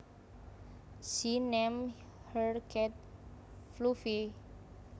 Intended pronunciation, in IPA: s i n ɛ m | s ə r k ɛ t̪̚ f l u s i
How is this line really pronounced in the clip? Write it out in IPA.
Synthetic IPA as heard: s i n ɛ m | h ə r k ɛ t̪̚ f l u f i